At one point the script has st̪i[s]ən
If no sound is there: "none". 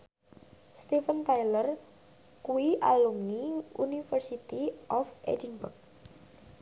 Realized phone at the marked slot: f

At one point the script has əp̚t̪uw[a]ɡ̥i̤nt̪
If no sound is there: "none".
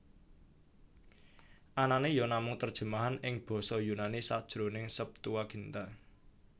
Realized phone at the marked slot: a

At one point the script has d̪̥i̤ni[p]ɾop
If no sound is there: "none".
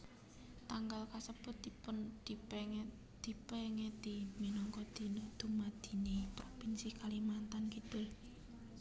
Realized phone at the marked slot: p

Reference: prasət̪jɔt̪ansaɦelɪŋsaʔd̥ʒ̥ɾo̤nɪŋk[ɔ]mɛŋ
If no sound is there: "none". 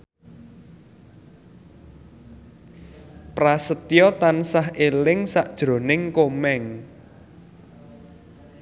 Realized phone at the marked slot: o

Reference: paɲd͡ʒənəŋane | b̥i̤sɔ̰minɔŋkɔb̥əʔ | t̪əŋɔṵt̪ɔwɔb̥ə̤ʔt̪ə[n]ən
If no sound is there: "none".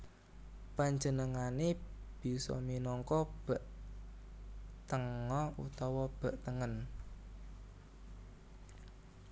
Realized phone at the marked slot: ŋ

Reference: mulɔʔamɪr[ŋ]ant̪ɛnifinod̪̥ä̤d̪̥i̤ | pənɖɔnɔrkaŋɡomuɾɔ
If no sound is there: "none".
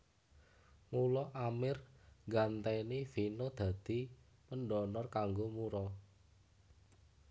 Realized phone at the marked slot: ɡ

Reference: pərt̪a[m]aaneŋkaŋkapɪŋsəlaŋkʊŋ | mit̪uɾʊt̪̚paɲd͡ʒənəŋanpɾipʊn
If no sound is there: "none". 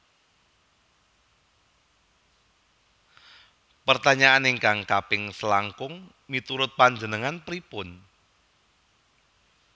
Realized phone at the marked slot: ɲ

